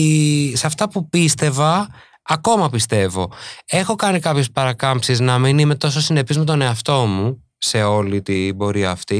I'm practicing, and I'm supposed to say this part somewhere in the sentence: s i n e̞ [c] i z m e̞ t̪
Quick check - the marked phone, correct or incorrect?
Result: incorrect